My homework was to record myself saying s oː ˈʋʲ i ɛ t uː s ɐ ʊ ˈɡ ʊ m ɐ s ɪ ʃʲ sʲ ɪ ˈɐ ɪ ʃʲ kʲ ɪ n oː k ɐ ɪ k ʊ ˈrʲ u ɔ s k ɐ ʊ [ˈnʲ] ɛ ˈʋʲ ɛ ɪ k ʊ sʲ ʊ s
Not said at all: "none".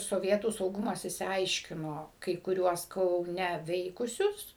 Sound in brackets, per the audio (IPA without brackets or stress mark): nʲ